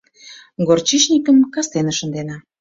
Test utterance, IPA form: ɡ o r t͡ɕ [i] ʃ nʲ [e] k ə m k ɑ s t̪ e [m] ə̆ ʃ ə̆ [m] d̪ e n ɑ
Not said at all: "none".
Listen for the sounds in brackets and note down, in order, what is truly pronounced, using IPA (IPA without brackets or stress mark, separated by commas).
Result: i, i, n, n